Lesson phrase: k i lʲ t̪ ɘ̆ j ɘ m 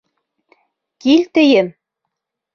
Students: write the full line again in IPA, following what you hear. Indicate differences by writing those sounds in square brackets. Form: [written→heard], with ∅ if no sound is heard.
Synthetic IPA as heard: k i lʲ t̪ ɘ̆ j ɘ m

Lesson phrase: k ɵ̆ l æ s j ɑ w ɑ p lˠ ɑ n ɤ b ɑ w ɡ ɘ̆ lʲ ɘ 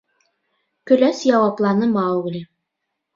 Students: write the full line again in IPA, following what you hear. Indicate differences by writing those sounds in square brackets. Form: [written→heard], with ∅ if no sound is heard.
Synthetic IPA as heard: k ɵ̆ l æ s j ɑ w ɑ p lˠ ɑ n ɤ [b→m] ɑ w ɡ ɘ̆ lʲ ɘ

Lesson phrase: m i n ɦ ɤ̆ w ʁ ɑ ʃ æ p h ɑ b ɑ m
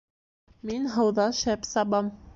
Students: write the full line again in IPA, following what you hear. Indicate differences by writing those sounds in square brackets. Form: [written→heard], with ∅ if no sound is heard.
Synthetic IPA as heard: m i n ɦ ɤ̆ w [ʁ→ð] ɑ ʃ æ p [h→s] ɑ b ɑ m

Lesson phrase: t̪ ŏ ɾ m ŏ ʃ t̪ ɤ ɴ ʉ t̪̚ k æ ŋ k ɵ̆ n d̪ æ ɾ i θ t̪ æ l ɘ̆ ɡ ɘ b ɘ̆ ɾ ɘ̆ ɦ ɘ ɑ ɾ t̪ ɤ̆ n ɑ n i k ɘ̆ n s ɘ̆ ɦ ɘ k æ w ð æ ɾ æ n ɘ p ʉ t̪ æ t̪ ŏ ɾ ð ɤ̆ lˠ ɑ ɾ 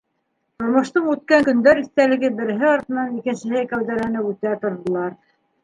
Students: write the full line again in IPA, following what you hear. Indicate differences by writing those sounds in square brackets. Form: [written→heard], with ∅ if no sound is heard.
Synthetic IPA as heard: t̪ ŏ ɾ m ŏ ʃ t̪ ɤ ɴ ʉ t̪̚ k æ ŋ k ɵ̆ n d̪ æ ɾ i θ t̪ æ l ɘ̆ ɡ ɘ b ɘ̆ ɾ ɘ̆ ɦ ɘ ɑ ɾ t̪ ɤ̆ n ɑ n i k ɘ̆ n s ɘ̆ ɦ ɘ k æ w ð æ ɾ æ n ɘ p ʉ t̪ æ t̪ ŏ ɾ ð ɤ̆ lˠ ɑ ɾ

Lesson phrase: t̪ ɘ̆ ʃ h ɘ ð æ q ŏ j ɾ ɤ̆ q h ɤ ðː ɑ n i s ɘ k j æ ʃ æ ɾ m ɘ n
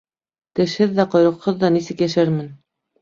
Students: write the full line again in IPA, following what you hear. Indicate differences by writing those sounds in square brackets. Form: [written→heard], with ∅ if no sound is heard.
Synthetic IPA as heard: t̪ ɘ̆ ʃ h ɘ [ð→ðː] æ q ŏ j ɾ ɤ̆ q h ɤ ðː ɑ n i s ɘ k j æ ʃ æ ɾ m ɘ n

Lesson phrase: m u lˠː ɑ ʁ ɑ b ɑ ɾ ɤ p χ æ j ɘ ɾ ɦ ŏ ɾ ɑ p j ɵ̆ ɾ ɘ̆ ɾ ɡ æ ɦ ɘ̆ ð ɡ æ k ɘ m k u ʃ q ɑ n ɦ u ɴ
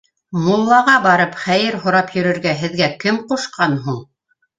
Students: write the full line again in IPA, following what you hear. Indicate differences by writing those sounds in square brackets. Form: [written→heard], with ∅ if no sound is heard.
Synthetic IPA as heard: m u lˠː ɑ ʁ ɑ b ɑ ɾ ɤ p χ æ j ɘ ɾ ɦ ŏ ɾ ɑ p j ɵ̆ ɾ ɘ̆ ɾ ɡ æ ɦ ɘ̆ ð ɡ æ k ɘ m [k→q] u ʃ q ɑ n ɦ u ɴ

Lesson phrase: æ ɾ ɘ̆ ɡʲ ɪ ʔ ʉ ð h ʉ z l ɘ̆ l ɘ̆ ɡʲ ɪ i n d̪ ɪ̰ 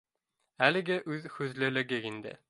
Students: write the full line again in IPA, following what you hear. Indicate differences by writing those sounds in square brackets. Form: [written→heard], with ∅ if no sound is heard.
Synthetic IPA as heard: æ [ɾ→l] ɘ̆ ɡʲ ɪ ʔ ʉ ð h ʉ z l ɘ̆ l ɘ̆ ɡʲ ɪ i n d̪ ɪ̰

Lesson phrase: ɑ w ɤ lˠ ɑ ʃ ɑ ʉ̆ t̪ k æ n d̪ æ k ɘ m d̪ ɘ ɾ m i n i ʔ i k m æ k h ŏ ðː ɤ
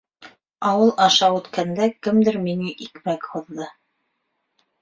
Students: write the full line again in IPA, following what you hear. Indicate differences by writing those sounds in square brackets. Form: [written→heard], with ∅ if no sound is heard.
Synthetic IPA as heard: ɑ w ɤ lˠ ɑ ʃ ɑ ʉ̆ t̪ k æ n d̪ æ k ɘ m d̪ ɘ ɾ m i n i ʔ i k m æ k h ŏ ðː ɤ

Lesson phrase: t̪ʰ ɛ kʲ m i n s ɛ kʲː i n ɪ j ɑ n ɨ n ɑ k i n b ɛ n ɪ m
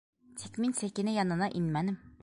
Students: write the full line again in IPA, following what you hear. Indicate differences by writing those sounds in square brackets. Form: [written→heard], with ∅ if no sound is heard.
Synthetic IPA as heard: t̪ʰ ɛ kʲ m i n s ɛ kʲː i n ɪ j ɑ n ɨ n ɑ [k→ʔ] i n [b→m] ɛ n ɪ m

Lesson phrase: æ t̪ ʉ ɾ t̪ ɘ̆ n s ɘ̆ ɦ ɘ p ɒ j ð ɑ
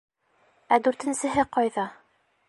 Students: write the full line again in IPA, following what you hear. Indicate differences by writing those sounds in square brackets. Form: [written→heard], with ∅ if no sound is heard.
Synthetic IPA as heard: æ [t̪→d̪] ʉ ɾ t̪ ɘ̆ n s ɘ̆ ɦ ɘ [p→q] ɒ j ð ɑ

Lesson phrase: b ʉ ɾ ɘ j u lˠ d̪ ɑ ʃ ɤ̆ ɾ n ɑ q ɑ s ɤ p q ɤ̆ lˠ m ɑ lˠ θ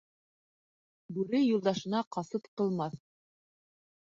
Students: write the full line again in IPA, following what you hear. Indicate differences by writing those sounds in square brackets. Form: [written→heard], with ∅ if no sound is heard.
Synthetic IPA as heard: b ʉ ɾ ɘ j u lˠ d̪ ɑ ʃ ɤ̆ [ɾ→∅] n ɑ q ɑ s ɤ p q ɤ̆ lˠ m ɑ [lˠ→∅] θ

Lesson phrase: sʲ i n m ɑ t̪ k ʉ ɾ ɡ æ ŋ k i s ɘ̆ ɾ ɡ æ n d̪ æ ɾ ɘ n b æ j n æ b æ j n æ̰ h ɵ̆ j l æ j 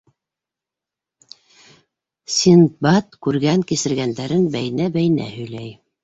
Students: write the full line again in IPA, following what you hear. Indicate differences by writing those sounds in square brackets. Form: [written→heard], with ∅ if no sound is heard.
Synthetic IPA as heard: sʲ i n [m→b] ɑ t̪ k ʉ ɾ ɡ æ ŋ k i s ɘ̆ ɾ ɡ æ n d̪ æ ɾ ɘ n b æ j n æ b æ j n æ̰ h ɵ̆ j l æ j

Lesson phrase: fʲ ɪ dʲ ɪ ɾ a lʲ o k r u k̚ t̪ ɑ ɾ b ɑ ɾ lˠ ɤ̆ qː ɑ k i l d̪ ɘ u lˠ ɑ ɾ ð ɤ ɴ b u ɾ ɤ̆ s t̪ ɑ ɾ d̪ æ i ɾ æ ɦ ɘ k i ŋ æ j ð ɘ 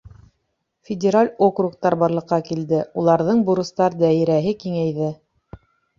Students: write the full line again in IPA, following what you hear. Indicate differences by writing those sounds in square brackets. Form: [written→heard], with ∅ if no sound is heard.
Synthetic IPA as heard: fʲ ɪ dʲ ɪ ɾ a lʲ o k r u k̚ t̪ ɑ ɾ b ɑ ɾ lˠ ɤ̆ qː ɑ k i l d̪ ɘ u lˠ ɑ ɾ ð ɤ ɴ b u ɾ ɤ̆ s t̪ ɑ ɾ d̪ æ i ɾ æ ɦ ɘ k i ŋ æ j ð ɘ

